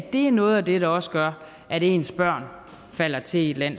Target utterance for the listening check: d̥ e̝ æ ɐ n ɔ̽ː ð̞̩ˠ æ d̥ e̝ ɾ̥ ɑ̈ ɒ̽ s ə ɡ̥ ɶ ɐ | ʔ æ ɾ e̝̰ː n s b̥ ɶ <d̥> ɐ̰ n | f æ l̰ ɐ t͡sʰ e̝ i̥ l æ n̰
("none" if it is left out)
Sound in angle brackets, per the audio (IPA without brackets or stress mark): none